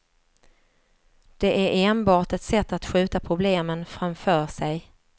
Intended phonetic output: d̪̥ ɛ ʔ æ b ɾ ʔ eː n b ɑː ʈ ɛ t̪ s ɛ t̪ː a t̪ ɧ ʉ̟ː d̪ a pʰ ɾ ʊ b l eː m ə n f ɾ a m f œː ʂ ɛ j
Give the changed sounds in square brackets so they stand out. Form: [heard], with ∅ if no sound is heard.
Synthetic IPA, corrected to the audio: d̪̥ ɛ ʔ æ [∅] ɾ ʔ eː n b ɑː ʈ ɛ t̪ s ɛ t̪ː a t̪ ɧ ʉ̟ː [t̪] a pʰ ɾ ʊ b l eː m ə n f ɾ a m f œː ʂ ɛ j